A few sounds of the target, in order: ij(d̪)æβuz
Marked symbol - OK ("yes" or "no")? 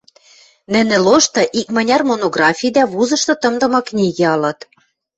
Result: yes